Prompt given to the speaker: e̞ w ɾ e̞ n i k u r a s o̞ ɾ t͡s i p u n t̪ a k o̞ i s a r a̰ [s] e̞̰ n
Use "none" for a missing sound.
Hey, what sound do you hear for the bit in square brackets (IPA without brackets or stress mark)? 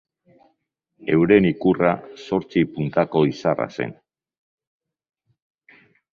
s